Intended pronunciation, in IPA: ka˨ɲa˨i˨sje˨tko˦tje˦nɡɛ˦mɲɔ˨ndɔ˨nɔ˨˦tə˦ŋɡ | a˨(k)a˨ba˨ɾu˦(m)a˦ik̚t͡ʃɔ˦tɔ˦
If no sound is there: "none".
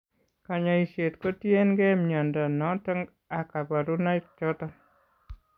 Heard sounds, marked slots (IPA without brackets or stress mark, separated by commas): k, n